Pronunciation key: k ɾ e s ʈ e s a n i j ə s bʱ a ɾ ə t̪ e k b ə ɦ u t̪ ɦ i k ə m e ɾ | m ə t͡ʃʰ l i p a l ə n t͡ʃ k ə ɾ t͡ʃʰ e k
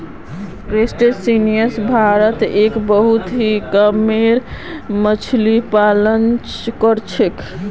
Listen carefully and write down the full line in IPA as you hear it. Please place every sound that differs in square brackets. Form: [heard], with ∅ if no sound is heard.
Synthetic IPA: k ɾ e s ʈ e s [i] n i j ə s bʱ a ɾ ə t̪ e k b ə ɦ u t̪ ɦ i k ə m e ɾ | m ə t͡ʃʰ l i p a l ə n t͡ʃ k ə ɾ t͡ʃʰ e k